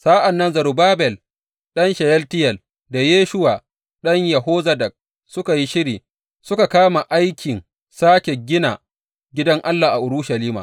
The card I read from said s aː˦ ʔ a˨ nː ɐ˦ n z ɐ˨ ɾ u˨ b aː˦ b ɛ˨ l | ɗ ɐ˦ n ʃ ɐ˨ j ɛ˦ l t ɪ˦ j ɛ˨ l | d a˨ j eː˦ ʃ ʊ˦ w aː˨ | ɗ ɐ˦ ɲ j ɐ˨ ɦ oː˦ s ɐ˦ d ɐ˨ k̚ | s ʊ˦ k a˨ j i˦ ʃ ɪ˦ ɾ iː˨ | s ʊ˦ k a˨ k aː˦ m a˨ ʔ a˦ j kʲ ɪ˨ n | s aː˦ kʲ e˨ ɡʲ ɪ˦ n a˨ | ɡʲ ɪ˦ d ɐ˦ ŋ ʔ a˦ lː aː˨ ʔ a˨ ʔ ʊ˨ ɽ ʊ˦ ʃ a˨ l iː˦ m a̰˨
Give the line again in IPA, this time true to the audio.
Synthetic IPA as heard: s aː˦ ʔ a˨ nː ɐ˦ n z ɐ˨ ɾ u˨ b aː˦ b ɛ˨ l | ɗ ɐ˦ n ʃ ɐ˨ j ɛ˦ l t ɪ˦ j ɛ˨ l | d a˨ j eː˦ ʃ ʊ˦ w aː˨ | ɗ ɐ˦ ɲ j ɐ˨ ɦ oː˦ z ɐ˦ d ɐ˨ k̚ | s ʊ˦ k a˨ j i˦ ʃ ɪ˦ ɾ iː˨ | s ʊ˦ k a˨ k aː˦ m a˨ ʔ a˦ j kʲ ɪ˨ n | s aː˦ kʲ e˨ ɡʲ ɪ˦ n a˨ | ɡʲ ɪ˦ d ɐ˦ ŋ ʔ a˦ lː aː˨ ʔ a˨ ʔ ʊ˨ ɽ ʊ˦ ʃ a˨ l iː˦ m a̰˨